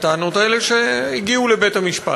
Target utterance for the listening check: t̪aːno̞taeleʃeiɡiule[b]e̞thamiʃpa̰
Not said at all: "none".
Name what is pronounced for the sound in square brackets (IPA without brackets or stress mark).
b